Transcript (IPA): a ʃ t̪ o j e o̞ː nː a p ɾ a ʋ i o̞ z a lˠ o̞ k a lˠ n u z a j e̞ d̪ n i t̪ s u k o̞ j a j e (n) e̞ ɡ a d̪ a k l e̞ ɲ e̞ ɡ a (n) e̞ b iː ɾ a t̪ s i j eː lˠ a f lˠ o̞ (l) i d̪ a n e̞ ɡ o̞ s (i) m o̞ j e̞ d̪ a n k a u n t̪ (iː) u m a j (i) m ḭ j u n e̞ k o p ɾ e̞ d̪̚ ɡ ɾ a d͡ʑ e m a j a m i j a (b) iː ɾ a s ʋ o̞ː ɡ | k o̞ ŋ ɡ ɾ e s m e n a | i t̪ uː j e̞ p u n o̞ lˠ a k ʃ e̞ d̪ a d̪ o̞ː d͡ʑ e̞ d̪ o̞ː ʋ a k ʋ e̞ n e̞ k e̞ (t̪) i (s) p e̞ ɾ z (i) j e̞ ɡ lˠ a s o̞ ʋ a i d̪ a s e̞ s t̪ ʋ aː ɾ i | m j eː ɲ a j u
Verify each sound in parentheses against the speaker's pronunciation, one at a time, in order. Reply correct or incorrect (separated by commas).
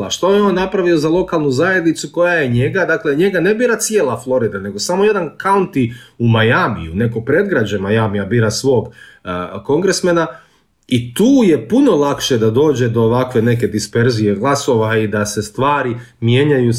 incorrect, correct, incorrect, incorrect, incorrect, incorrect, correct, incorrect, correct, correct